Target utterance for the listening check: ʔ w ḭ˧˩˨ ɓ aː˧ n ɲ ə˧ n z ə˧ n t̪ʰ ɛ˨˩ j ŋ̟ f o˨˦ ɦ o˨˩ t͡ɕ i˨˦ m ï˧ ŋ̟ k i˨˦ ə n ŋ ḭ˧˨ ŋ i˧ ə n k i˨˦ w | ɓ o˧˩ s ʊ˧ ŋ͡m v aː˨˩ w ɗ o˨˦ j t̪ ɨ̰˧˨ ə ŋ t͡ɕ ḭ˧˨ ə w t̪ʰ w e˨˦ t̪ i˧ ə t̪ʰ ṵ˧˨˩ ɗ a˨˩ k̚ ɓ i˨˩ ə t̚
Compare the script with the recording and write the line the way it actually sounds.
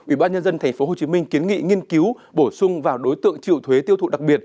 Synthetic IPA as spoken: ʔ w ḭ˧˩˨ ɓ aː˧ n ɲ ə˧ n z ə˧ n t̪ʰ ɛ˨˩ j ŋ̟ f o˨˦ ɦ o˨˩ t͡ɕ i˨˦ m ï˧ ŋ̟ k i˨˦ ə n ŋ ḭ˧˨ ŋ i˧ ə n k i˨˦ w | ɓ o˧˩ s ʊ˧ ŋ͡m v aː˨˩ w ɗ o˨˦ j t̪ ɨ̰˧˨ ə ŋ t͡ɕ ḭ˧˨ ə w t̪ʰ w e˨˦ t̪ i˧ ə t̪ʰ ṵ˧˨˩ ɗ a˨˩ k̚ ɓ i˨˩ ə t̚

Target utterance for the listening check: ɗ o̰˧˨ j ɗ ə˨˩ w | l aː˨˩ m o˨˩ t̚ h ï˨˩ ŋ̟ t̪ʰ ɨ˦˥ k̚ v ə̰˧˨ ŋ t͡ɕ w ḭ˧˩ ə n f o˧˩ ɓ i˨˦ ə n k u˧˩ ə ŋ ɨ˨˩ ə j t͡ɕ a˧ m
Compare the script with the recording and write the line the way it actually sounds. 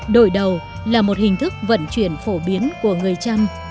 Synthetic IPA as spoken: ɗ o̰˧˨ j ɗ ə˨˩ w | l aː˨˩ m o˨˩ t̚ h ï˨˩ ŋ̟ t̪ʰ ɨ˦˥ k̚ v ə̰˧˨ n t͡ɕ w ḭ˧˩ ə n f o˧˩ ɓ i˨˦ ə n k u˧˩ ə ŋ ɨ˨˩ ə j t͡ɕ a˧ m

